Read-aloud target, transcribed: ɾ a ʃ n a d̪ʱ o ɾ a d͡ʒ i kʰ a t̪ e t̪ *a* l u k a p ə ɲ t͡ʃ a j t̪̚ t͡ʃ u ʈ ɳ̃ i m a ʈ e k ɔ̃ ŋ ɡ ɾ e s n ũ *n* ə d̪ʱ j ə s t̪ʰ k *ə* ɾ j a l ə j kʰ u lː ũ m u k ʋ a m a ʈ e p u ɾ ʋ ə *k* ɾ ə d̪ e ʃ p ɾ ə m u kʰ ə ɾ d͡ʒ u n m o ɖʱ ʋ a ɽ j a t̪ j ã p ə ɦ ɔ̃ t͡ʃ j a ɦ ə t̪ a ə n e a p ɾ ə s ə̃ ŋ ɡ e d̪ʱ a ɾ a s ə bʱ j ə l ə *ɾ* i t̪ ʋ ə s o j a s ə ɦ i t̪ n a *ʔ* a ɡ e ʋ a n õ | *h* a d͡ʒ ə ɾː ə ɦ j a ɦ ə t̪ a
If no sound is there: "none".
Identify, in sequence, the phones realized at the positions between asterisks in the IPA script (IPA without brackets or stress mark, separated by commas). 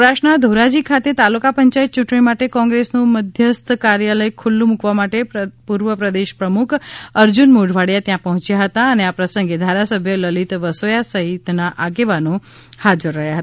a, m, a, p, l, ʔ, h